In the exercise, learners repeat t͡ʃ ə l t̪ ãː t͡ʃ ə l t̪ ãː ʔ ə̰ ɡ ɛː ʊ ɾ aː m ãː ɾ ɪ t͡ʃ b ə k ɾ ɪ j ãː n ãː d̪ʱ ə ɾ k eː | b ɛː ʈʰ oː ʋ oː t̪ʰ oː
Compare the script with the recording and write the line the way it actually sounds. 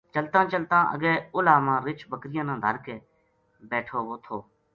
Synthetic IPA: t͡ʃ ə l t̪ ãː t͡ʃ ə l t̪ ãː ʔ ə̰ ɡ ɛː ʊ l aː m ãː ɾ ɪ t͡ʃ b ə k ɾ ɪ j ãː n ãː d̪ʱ ə ɾ k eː | b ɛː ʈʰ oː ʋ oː t̪ʰ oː